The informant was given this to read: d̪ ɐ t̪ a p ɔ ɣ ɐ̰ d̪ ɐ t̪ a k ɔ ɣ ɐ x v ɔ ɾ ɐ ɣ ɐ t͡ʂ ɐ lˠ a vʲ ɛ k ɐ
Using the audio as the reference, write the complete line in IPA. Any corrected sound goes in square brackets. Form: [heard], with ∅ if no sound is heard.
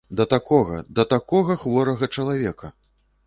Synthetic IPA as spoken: d̪ ɐ t̪ a [k] ɔ ɣ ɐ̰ d̪ ɐ t̪ a k ɔ ɣ ɐ x v ɔ ɾ ɐ ɣ ɐ t͡ʂ ɐ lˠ a vʲ ɛ k ɐ